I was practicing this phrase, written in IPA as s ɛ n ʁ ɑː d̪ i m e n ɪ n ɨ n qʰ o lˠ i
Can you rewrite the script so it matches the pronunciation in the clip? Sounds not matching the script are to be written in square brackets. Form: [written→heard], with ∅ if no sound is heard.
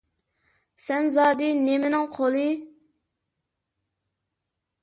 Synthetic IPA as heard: s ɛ n [ʁ→z] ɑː d̪ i [m→n] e [n→m] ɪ n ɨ [n→ŋ] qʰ o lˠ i

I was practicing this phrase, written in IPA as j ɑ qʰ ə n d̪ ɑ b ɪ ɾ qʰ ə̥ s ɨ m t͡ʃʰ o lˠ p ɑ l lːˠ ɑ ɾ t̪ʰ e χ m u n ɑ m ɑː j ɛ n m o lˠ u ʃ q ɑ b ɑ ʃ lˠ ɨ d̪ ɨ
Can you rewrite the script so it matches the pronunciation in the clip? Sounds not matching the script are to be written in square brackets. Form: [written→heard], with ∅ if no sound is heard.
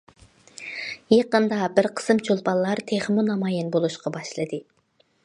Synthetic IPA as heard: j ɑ [qʰ→q] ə n d̪ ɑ b ɪ ɾ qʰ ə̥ s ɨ m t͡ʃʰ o lˠ p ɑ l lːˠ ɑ ɾ t̪ʰ e χ m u n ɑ m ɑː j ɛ n [m→b] o lˠ u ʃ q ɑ b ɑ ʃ lˠ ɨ d̪ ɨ

